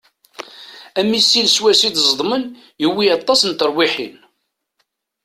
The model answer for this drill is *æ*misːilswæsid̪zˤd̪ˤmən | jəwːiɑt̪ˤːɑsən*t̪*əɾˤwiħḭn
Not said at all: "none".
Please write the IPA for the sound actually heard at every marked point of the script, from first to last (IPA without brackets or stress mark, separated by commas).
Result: æ, t̪